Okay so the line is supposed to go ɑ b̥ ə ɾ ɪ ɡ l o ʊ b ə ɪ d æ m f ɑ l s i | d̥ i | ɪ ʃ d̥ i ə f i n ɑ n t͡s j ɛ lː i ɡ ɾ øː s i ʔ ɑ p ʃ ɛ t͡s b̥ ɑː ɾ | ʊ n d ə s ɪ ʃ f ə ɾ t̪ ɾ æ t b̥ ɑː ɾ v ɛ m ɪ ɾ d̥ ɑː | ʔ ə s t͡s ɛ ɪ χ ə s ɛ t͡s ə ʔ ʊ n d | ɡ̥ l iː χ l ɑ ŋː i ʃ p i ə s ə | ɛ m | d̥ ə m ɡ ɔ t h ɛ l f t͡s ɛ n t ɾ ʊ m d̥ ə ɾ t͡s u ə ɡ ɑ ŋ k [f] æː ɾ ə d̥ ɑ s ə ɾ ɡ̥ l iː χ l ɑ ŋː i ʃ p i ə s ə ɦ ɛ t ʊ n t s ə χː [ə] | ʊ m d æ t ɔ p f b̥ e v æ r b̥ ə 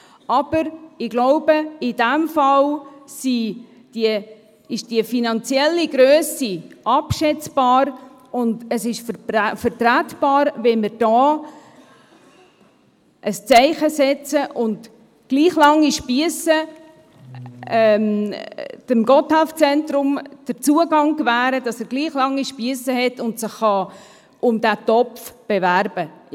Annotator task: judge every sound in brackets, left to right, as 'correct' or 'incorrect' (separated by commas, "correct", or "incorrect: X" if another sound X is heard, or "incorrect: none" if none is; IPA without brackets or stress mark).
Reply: incorrect: v, incorrect: ɑ